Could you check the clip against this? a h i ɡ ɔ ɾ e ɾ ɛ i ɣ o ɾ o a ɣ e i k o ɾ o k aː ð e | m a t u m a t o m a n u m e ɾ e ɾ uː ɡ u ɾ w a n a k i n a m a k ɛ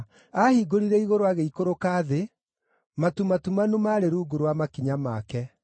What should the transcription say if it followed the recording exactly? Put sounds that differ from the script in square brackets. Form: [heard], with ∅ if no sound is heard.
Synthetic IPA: a h i ɡ [o] ɾ [i] ɾ ɛ i ɣ o ɾ o a ɣ e i k o ɾ o k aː ð e | m a t u m a t [u] m a n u m [a] ɾ e ɾ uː ɡ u ɾ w a [m] a k i [ɲ] a m a k ɛ